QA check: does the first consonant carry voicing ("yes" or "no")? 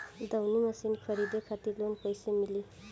yes